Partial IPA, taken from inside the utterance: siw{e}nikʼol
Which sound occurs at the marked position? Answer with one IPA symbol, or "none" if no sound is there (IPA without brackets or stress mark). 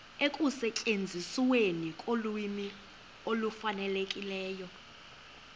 e